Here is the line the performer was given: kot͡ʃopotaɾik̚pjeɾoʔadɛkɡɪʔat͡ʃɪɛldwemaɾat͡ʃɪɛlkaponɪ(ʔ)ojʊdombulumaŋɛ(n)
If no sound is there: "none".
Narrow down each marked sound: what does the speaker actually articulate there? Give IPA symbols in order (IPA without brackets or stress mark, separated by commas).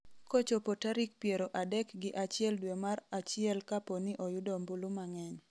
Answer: ʔ, ɲ